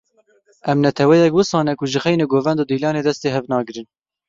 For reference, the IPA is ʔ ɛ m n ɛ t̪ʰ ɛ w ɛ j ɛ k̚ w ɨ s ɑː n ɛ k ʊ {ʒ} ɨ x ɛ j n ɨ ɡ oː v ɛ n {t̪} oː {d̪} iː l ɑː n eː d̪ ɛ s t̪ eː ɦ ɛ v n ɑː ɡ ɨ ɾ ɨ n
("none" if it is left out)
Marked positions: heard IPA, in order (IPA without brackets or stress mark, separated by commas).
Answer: ʒ, d̪, d̪